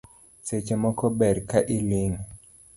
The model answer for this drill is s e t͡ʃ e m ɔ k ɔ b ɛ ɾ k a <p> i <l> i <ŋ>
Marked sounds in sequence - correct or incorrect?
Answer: incorrect: ʔ, correct, correct

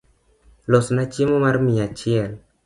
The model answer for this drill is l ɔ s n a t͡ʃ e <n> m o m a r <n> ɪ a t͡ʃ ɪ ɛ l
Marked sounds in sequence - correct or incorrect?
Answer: incorrect: none, incorrect: m

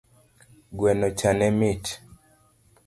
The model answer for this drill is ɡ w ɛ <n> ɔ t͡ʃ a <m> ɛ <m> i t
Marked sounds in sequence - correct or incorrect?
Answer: correct, incorrect: n, correct

